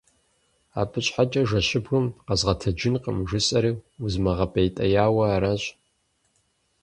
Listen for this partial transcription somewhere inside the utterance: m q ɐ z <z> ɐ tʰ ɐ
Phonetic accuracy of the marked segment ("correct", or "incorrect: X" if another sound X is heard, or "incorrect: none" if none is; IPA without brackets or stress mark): incorrect: ʁ